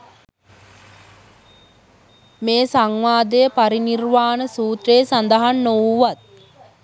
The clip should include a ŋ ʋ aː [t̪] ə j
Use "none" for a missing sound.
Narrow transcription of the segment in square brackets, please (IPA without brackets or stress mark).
d̪